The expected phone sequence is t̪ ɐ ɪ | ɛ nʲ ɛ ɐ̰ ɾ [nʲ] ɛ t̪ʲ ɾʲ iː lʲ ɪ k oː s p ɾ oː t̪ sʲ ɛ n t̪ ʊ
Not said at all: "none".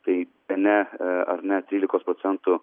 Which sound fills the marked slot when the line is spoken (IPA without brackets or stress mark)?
nʲ